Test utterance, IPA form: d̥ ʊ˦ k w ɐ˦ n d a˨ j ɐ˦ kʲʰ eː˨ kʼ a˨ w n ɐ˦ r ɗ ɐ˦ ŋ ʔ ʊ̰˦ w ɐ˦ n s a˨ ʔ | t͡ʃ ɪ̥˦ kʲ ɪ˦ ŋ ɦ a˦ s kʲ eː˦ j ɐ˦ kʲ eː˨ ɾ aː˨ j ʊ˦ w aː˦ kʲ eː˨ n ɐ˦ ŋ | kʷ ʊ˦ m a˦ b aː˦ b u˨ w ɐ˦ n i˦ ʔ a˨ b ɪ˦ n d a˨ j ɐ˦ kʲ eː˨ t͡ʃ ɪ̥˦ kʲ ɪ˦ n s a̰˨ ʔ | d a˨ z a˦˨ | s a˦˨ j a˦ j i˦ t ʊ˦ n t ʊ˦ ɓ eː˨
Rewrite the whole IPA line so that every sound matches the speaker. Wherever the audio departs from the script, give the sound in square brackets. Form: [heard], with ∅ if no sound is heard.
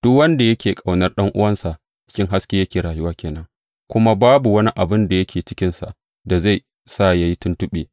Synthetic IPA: d̥ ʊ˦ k w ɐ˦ n d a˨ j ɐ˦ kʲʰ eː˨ kʼ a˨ w n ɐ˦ r ɗ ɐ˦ ŋ ʔ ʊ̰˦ w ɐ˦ n s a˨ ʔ | t͡ʃ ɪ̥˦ kʲ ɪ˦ ŋ ɦ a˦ s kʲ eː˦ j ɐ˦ kʲ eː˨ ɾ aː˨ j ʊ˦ w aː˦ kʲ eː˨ n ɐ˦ ŋ | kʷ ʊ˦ m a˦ b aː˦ b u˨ w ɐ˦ n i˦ ʔ a˨ b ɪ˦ n d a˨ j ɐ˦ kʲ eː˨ t͡ʃ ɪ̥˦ kʲ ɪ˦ n s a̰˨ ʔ | d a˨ z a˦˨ | s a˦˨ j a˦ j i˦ t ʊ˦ n t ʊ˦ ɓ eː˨